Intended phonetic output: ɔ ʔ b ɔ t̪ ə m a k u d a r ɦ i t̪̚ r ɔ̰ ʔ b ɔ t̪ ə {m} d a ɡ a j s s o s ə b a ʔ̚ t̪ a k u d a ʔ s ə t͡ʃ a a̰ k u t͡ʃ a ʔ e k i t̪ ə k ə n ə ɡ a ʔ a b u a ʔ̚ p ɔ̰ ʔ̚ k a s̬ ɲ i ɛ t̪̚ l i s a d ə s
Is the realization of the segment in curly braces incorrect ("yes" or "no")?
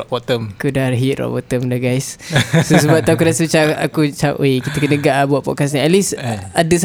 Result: no